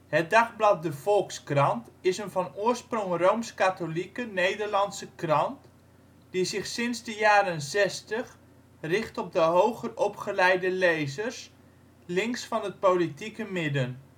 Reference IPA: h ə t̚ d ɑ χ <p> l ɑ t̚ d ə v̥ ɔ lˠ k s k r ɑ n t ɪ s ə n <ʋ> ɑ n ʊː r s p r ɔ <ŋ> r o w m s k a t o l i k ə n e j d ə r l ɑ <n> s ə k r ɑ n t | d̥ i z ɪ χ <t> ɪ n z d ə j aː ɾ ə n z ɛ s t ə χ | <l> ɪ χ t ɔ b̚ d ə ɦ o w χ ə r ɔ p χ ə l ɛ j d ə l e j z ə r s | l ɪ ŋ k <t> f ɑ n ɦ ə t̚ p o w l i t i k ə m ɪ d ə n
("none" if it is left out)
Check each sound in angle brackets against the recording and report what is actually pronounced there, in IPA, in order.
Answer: b, v, ŋ, n, s, r, s

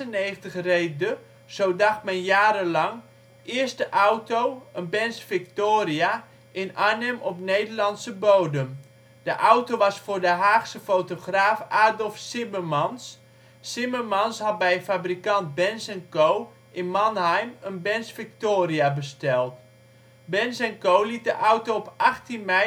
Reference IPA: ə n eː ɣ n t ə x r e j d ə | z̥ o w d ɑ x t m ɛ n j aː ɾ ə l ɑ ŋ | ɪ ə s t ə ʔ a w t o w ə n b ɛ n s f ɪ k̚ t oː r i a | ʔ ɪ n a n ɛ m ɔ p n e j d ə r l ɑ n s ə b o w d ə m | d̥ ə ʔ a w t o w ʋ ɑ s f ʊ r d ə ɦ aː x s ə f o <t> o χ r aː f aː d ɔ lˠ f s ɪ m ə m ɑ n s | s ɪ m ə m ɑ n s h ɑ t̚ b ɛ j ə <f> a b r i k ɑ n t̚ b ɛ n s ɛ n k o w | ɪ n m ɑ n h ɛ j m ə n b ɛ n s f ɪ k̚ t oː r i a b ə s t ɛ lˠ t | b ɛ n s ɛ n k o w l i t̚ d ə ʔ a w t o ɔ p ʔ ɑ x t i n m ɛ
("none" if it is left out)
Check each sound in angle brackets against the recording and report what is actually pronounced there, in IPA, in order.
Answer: t, f

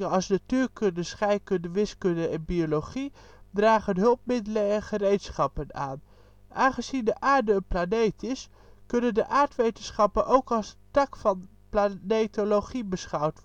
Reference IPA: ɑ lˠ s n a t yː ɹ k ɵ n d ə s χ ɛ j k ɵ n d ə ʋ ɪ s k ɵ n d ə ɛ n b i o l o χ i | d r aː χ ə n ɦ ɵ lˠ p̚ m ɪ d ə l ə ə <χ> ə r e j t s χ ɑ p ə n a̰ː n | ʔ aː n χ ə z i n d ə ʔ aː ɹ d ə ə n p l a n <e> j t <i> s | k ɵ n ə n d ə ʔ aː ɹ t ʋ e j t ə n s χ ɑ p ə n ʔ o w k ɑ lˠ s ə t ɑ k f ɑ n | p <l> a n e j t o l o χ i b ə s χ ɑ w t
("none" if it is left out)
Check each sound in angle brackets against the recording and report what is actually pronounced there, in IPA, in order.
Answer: χ, e, ɪ, l

